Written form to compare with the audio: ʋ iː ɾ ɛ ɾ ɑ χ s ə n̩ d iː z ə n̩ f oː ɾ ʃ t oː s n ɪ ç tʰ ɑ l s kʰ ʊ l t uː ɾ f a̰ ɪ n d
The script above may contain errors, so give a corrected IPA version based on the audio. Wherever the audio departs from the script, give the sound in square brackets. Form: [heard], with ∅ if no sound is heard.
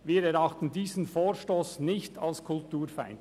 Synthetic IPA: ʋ iː ɾ ɛ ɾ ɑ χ [t] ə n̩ d iː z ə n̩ f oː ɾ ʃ t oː s n ɪ ç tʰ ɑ l s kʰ ʊ l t uː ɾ f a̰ ɪ n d

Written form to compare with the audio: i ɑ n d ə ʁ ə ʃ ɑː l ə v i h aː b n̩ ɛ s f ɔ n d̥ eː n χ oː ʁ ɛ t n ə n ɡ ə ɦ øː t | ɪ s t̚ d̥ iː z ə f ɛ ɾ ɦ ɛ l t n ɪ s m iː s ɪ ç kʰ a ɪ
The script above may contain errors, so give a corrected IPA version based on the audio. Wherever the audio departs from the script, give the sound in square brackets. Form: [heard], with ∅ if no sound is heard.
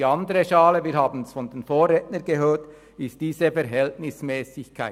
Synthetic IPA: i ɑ n d ə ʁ ə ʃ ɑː l ə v [iː] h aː b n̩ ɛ s f ɔ n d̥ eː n [f] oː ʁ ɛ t n ə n ɡ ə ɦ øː t | ɪ s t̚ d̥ iː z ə f ɛ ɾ ɦ ɛ l t n ɪ s m [ɛː] s ɪ ç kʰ a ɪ

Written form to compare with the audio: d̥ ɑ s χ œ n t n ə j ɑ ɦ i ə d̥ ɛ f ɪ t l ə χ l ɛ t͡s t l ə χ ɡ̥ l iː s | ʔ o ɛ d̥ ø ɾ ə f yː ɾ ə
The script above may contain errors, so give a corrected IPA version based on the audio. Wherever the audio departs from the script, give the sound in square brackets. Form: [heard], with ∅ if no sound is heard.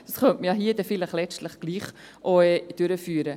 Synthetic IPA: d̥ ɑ s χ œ n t [m] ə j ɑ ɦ i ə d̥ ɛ f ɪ [∅] l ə χ l ɛ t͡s t l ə χ ɡ̥ l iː [χ] | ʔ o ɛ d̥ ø ɾ ə f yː ɾ ə

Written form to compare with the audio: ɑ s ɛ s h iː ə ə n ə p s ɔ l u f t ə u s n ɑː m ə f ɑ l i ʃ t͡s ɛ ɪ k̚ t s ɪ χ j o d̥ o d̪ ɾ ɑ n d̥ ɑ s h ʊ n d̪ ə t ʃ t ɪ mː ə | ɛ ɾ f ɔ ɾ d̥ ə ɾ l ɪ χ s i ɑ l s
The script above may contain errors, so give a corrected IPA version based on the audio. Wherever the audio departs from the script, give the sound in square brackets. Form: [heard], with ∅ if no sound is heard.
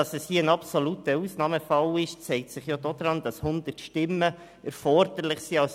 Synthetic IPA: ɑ s ɛ s h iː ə ə n [ɑ] p s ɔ l u [∅] t ə u s n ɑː m ə f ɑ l [ɪ] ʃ t͡s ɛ ɪ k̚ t s ɪ χ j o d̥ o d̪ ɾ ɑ n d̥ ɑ s h ʊ n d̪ ə t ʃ t ɪ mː ə | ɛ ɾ f ɔ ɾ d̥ ə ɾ l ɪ χ s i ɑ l s

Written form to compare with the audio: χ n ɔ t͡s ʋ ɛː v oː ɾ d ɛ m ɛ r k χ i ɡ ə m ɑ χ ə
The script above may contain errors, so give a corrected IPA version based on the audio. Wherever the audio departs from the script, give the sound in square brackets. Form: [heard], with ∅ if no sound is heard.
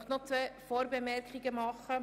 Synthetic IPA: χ n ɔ t͡s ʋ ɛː [f] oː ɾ [b] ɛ m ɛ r k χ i ɡ ə m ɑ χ ə

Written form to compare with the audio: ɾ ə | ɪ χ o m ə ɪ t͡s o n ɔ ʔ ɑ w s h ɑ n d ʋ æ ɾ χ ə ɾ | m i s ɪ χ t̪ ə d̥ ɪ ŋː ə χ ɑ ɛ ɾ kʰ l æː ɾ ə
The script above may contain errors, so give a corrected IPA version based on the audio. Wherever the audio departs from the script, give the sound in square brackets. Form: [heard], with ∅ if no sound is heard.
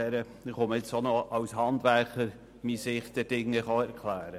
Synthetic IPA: ɾ ə | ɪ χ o m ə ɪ t͡s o n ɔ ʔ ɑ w s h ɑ n d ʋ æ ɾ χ ə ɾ | m i s ɪ χ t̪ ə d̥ ɪ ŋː ə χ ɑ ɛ ɾ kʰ l æː ɾ ə

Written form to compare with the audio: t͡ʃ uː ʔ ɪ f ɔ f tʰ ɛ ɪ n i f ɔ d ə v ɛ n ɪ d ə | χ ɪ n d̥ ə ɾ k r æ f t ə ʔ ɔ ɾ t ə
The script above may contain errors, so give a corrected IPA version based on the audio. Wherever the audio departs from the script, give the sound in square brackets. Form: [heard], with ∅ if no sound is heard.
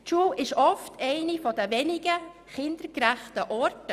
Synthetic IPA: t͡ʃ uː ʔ ɪ [ʃ] ɔ f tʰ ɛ ɪ n i f ɔ d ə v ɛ n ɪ [ɡ] ə | χ ɪ n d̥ ə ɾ k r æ [χ] t ə ʔ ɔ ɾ t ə

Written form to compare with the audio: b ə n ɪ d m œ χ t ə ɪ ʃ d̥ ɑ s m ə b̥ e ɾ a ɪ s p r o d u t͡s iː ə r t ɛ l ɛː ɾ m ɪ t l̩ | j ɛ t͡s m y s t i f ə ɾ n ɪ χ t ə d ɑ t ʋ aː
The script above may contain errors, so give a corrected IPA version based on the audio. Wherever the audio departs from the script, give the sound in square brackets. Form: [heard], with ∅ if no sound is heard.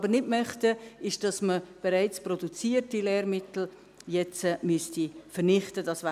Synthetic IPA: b ə n ɪ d m œ χ t ə ɪ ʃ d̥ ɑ s m ə b̥ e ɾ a ɪ [t͡s] p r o d u t͡s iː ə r t [i] l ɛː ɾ m ɪ t l̩ | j ɛ t͡s m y s t i f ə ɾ n ɪ χ t ə d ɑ [s] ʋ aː

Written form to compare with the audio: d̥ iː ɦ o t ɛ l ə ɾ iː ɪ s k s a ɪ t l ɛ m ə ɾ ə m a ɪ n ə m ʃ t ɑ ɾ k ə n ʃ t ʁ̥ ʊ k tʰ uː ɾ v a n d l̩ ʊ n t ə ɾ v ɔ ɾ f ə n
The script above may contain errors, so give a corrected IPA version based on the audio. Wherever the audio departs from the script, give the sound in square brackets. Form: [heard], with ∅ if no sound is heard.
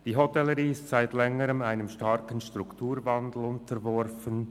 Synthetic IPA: d̥ iː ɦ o t ɛ l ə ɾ iː ɪ s [t] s a ɪ t l ɛ [ŋ] ə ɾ ə m a ɪ n ə m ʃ t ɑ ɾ k ə n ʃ t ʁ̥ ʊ k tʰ uː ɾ v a n d l̩ ʊ n t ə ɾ v ɔ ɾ f ə n

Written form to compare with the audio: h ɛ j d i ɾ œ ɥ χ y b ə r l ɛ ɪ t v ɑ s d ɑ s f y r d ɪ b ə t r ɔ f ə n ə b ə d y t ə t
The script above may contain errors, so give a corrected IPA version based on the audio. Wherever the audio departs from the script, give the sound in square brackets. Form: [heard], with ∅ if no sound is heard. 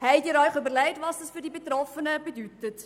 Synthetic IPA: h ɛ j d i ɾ œ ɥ χ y b ə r l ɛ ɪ t v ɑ s d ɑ s f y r d [i] b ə t r ɔ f ə n ə b ə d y t ə t

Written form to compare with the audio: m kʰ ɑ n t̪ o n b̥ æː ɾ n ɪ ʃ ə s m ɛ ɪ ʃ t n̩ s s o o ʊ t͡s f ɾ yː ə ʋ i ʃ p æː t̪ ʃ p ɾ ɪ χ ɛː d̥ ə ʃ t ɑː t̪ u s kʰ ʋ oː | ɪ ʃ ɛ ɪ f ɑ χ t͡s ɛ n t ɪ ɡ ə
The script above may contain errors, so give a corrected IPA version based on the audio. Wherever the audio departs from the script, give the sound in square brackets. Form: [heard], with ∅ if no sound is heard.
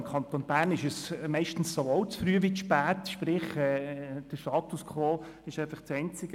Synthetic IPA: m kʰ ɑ n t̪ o n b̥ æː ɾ n ɪ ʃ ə s m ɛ ɪ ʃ t n̩ s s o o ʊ t͡s f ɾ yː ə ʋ i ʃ p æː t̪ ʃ p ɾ ɪ χ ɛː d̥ ə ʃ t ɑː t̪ u s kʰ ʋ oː | ɪ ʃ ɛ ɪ f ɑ χ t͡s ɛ n [t͡s] ɪ ɡ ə

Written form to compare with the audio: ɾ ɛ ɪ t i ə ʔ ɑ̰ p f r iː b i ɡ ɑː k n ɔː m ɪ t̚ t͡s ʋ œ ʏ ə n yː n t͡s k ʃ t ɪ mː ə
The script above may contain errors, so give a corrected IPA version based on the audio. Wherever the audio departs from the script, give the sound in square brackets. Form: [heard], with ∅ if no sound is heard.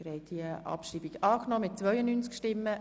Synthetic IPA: ɾ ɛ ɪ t i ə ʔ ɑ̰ p [ʃ] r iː b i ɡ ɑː k n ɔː m ɪ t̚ t͡s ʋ œ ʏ ə n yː n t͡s k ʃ t ɪ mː ə

